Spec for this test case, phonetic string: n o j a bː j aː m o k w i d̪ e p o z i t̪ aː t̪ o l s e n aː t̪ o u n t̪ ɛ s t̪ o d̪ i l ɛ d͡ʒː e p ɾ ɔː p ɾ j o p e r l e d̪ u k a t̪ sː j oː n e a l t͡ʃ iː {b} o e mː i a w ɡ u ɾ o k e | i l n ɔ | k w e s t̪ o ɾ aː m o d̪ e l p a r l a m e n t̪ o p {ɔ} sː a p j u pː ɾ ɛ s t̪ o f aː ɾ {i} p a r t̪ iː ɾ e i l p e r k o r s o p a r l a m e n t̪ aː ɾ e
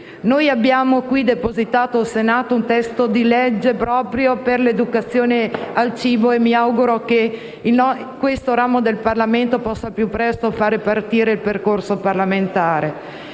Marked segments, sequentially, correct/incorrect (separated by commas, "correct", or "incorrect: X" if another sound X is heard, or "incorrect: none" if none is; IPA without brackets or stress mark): correct, correct, incorrect: e